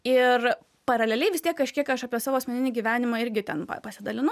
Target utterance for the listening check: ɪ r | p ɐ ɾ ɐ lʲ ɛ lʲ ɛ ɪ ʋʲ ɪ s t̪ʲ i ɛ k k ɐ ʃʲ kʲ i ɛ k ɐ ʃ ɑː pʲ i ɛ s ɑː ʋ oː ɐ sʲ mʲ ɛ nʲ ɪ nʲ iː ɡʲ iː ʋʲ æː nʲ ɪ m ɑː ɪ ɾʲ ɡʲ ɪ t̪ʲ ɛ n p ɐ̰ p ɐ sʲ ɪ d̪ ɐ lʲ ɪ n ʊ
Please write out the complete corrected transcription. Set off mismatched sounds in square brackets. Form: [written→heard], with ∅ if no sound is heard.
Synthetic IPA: ɪ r | p ɐ ɾ ɐ lʲ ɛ lʲ ɛ ɪ ʋʲ ɪ s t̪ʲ i ɛ k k ɐ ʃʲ kʲ i ɛ k ɐ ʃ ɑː pʲ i ɛ s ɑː ʋ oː ɐ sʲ mʲ ɛ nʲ ɪ nʲ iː ɡʲ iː ʋʲ æː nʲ ɪ m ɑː ɪ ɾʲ ɡʲ ɪ t̪ʲ ɛ n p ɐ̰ p ɐ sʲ ɪ d̪ ɐ lʲ ɪ n ʊ